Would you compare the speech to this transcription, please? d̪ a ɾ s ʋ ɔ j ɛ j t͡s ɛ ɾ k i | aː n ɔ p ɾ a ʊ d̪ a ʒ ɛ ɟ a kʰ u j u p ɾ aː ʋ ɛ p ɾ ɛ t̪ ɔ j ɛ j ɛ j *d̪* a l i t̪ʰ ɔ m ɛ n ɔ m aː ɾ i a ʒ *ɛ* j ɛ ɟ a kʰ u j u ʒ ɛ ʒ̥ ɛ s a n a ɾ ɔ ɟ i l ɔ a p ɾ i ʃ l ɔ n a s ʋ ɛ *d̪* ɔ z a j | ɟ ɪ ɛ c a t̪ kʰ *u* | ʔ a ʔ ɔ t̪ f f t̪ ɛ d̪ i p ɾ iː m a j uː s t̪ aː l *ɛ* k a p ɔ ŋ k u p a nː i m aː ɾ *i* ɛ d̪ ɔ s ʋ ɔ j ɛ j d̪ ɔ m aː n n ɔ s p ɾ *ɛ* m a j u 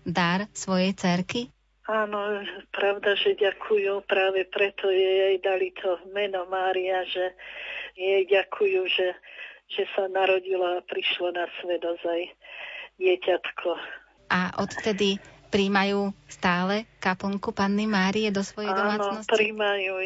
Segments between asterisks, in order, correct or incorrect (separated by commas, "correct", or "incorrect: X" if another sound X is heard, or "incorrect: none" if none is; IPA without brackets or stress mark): correct, correct, correct, incorrect: ɔ, correct, correct, incorrect: i